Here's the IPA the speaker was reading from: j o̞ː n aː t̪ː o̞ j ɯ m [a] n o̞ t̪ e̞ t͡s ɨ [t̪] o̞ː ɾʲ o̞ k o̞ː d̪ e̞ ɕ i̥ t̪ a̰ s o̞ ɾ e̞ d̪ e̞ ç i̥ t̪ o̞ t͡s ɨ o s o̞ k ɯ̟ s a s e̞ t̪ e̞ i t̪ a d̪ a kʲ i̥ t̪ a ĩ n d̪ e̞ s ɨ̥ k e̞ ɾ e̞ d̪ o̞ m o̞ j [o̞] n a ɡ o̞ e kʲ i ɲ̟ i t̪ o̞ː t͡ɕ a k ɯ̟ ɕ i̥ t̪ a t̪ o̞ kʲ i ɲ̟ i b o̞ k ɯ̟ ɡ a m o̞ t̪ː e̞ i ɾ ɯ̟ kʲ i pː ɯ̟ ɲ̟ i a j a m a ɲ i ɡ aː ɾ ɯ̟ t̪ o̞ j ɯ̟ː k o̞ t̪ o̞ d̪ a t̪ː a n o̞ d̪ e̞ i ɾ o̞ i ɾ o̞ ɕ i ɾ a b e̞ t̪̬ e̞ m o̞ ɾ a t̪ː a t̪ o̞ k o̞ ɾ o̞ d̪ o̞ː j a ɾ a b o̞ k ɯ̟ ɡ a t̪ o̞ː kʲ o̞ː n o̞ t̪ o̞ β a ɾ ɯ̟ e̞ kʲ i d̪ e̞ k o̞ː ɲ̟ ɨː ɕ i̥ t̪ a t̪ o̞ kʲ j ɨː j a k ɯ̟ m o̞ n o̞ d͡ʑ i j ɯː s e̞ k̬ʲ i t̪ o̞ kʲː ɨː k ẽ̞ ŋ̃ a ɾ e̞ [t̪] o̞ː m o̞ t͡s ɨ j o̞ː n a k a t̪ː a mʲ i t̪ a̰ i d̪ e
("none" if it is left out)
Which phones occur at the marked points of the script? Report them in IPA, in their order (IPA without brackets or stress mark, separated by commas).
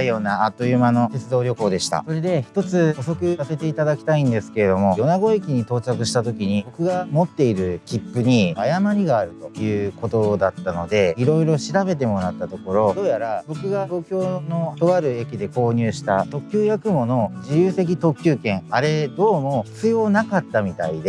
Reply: a, d̪, o̞, d̪